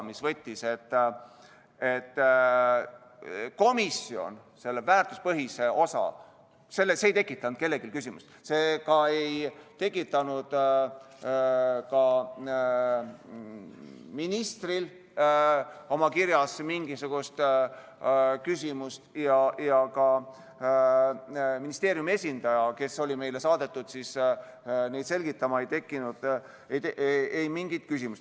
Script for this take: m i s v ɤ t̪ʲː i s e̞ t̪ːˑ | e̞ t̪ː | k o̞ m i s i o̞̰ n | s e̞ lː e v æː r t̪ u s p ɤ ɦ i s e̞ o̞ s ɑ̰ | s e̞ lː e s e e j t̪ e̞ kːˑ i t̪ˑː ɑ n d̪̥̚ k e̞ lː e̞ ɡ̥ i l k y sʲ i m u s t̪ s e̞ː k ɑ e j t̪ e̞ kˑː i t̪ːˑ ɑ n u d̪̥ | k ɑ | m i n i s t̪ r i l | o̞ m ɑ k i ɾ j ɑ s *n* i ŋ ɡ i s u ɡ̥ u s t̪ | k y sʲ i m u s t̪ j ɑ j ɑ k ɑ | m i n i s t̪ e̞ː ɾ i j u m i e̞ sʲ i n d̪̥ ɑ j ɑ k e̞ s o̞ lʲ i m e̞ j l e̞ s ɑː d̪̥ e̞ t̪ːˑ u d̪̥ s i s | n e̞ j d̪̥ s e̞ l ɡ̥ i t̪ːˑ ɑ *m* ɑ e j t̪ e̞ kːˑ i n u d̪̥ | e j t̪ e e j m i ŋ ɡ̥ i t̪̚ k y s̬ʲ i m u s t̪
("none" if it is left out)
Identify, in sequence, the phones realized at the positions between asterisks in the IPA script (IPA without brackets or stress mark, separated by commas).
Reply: m, m